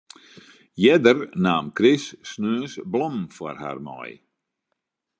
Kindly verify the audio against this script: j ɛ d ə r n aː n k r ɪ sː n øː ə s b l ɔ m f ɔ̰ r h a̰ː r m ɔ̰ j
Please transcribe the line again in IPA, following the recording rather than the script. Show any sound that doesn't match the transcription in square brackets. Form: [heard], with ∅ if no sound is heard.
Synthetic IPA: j ɛ d ə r n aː [m] k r ɪ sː n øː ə s b l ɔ m f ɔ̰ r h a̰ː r m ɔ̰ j